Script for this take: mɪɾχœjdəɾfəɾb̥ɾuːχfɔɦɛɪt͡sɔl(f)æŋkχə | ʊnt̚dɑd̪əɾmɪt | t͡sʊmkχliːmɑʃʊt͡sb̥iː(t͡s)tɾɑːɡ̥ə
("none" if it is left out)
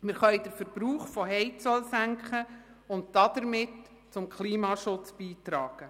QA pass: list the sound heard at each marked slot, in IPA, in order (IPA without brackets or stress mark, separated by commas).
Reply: s, none